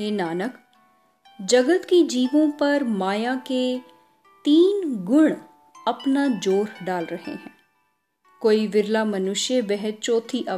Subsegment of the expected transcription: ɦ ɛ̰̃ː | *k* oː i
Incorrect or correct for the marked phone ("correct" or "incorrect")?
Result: correct